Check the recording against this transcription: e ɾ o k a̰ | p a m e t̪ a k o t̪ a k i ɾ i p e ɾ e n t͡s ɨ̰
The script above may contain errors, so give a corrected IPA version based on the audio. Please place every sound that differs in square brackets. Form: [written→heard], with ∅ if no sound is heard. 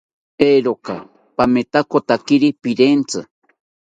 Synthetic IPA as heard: e ɾ o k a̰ | p a m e t̪ a k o t̪ a k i ɾ i p [e→i] ɾ e n t͡s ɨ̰